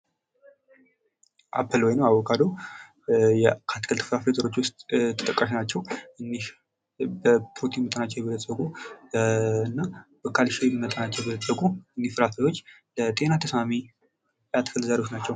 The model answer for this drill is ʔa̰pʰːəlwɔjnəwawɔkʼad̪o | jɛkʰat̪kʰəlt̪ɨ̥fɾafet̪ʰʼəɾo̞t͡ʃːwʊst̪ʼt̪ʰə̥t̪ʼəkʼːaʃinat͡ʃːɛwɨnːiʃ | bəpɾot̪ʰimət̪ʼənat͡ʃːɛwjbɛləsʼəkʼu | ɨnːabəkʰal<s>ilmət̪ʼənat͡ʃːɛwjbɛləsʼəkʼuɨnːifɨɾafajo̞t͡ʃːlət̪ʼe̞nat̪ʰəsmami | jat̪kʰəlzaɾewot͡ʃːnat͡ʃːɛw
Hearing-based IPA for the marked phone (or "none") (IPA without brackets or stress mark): ʃ